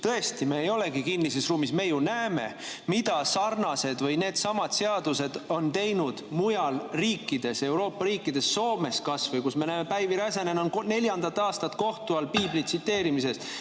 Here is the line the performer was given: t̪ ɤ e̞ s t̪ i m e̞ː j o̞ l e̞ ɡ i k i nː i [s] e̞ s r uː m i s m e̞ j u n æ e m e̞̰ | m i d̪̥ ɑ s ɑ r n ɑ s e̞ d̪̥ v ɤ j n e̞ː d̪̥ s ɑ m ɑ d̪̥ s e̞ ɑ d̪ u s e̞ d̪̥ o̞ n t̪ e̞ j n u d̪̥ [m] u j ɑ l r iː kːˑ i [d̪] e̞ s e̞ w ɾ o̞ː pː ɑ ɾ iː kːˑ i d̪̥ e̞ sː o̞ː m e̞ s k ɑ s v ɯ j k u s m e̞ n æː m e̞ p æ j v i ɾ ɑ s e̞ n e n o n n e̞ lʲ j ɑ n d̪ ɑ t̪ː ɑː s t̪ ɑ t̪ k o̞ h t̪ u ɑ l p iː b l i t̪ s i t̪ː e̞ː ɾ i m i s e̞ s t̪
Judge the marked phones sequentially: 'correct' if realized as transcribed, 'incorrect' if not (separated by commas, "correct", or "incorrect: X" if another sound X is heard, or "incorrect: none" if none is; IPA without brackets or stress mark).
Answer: correct, correct, correct